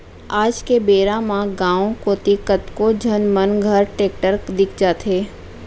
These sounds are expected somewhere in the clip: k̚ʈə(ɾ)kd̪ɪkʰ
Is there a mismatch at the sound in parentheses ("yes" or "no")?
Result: no